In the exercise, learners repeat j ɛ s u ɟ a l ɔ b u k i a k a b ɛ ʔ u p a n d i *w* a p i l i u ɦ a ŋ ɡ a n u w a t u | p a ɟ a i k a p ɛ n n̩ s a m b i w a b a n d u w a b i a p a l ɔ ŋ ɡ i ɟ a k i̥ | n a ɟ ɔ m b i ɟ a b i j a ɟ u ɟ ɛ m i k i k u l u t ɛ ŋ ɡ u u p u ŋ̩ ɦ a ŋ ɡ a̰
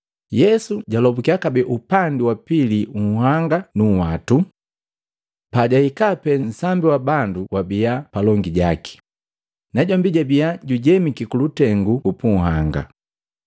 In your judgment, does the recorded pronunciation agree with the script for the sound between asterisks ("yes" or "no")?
yes